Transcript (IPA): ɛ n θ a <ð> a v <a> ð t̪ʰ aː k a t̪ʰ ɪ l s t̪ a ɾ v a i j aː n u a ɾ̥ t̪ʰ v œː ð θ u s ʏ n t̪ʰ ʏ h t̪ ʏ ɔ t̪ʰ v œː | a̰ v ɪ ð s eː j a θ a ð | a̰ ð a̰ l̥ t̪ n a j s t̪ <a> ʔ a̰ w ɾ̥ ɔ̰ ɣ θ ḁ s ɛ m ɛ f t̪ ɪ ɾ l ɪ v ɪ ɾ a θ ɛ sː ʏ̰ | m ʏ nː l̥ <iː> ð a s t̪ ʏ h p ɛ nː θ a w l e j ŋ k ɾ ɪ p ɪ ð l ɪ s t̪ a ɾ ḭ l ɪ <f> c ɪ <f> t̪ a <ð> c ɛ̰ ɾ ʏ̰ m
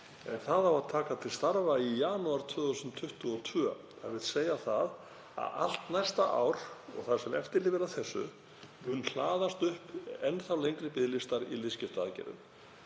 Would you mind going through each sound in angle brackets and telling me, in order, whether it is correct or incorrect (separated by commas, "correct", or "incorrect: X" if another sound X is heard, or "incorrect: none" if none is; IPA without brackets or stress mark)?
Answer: correct, correct, correct, incorrect: aː, incorrect: s, correct, correct